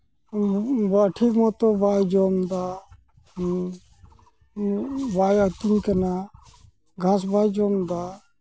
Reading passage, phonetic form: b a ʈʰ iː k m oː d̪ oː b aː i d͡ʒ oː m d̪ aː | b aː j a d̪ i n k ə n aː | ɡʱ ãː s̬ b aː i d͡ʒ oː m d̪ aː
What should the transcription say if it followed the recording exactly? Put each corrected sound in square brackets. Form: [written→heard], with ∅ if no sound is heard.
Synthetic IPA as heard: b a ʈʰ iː k m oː [d̪→t̪] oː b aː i d͡ʒ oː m d̪ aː | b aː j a [d̪→t̪] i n k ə n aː | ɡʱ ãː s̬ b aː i d͡ʒ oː m d̪ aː